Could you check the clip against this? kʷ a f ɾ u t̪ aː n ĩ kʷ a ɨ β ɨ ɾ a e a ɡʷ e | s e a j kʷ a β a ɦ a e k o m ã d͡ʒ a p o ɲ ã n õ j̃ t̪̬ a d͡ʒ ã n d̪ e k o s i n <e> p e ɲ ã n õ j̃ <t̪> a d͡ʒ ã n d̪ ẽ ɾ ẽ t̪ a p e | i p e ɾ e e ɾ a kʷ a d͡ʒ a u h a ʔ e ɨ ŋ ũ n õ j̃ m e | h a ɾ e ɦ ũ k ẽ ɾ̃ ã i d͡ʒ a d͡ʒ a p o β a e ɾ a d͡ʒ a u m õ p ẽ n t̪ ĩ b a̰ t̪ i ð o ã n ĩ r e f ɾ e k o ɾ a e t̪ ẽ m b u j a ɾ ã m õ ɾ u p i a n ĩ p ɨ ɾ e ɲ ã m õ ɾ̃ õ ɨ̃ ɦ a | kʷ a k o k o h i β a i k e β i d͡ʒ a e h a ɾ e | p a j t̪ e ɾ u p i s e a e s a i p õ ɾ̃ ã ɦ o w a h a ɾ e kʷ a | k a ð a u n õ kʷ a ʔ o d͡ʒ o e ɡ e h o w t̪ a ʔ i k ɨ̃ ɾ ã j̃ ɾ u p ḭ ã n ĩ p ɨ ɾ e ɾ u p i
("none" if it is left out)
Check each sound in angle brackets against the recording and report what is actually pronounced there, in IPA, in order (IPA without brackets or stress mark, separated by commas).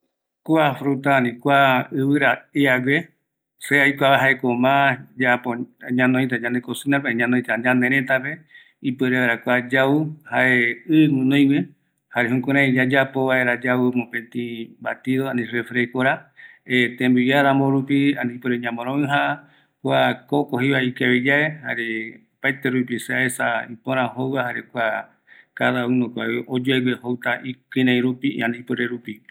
a, t̪